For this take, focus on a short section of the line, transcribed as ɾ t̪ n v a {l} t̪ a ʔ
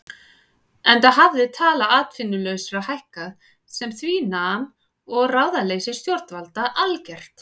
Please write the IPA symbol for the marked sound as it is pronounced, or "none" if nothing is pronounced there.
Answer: l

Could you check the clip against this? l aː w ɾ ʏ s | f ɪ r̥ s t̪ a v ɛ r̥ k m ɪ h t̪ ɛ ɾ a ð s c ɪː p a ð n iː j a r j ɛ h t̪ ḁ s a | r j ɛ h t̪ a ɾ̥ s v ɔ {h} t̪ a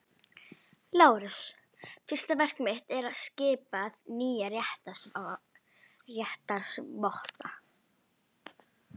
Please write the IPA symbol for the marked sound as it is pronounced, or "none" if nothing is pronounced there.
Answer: h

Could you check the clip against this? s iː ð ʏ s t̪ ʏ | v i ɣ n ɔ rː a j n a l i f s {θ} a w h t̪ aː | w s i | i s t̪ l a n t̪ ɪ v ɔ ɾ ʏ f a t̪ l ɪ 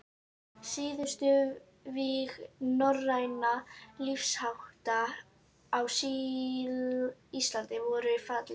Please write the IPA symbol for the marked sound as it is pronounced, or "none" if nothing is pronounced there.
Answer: h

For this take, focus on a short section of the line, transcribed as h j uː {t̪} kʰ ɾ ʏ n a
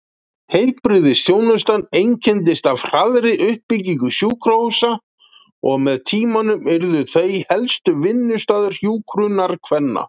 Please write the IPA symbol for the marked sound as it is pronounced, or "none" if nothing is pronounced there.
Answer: none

